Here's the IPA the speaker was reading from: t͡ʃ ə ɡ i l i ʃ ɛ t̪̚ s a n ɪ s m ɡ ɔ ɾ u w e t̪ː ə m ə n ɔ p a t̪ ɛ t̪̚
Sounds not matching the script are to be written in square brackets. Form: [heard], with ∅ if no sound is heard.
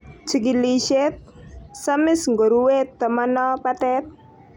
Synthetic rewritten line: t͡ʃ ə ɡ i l i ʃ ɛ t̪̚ s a [m] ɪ s [ŋ] ɡ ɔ ɾ u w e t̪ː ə m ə n ɔ p a t̪ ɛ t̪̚